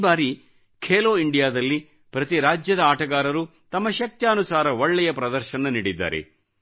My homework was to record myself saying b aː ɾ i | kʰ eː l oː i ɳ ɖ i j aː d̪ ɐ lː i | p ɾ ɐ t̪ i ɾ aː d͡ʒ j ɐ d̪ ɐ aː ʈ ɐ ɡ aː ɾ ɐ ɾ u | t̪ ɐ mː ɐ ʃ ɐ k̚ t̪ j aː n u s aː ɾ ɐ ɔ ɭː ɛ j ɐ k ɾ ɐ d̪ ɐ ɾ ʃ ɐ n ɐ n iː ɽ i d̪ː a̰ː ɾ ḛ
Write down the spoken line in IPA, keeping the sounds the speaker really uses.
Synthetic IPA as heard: b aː ɾ i | kʰ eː l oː i ɳ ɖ i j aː d̪ ɐ lː i | p ɾ ɐ t̪ i ɾ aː d͡ʒ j ɐ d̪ ɐ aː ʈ ɐ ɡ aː ɾ ɐ ɾ u | t̪ ɐ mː ɐ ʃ ɐ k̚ t̪ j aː n u s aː ɾ ɐ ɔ ɭː ɛ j ɐ p ɾ ɐ d̪ ɐ ɾ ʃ ɐ n ɐ n iː ɽ i d̪ː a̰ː ɾ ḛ